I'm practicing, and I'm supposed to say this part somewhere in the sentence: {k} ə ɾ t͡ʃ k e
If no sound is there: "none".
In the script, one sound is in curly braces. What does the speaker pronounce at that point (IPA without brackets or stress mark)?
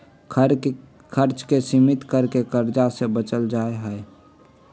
kʰ